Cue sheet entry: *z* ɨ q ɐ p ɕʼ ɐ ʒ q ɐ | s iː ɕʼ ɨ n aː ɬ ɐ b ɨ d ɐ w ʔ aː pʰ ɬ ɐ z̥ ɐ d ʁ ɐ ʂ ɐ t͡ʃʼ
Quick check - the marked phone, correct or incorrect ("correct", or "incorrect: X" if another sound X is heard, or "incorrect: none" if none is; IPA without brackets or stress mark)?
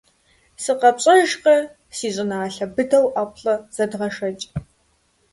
incorrect: s